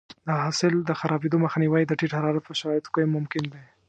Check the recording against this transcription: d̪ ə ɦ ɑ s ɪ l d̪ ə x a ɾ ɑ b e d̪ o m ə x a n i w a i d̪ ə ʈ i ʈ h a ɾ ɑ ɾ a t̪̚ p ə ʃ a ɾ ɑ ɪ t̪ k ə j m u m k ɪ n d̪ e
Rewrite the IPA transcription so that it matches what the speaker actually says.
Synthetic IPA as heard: d̪ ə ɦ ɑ s ɪ l d̪ ə x a ɾ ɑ b e d̪ o m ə x a n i w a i d̪ ə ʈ i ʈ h a ɾ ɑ ɾ a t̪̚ p ə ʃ a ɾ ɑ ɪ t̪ k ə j m ʊ m k ɪ n d̪ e